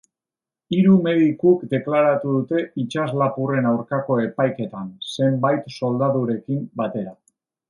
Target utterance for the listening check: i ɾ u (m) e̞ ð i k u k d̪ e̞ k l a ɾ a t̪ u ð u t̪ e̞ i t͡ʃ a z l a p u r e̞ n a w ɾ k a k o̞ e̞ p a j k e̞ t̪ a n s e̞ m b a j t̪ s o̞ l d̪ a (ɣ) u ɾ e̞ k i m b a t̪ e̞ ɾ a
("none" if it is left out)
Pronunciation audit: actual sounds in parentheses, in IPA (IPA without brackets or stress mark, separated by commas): m, ð